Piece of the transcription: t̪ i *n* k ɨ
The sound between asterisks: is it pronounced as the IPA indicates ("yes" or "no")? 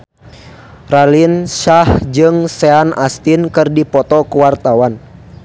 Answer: yes